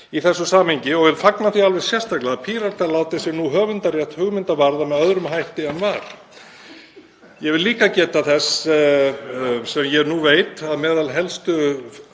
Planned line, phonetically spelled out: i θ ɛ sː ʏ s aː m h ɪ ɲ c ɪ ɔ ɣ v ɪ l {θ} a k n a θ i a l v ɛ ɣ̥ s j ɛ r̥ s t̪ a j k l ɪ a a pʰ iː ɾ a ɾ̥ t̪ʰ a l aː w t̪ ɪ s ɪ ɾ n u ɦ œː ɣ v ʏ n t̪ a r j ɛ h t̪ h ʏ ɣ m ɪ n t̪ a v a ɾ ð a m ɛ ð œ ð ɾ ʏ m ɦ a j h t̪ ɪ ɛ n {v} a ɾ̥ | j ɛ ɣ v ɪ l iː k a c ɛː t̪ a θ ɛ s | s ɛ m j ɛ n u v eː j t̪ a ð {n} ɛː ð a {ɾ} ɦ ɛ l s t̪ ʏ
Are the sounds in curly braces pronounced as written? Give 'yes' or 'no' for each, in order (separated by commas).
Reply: no, yes, no, no